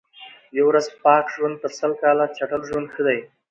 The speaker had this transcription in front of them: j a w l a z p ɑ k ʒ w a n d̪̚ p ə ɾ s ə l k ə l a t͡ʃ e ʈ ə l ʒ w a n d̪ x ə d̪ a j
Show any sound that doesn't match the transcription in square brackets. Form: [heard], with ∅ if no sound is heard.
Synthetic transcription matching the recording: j a w [ɾ] a z p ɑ k ʒ w a n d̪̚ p ə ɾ s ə l k [ɑ] l a t͡ʃ [a] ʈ ə l ʒ w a n d̪ x ə d̪ a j